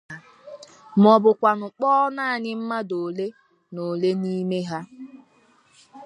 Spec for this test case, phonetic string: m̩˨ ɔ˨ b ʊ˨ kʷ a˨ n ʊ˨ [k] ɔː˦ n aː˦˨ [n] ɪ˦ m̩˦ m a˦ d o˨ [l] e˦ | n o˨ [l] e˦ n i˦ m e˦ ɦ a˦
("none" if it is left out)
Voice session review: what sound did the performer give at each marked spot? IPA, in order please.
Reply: k͡p, ɲ, l, l

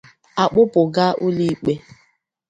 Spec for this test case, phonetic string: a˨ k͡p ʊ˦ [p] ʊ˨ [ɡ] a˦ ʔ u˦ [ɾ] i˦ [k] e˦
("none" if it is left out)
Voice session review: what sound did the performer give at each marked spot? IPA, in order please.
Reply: p, ɡ, l, k͡p

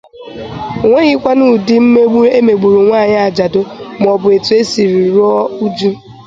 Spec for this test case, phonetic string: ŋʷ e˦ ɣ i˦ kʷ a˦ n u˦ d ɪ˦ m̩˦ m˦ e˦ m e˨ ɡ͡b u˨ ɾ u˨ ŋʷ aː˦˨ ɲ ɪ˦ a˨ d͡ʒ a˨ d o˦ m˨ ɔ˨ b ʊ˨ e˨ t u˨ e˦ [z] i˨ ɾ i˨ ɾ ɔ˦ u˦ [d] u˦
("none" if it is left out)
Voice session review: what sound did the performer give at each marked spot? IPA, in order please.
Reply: s, d͡ʒ

